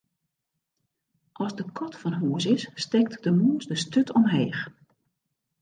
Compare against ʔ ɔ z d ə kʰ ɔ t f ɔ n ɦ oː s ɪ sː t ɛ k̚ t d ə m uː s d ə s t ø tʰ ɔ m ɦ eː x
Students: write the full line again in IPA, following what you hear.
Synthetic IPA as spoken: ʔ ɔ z d ə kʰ ɔ t f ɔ n ɦ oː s ɪ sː t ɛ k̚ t d ə m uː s d ə s t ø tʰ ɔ m ɦ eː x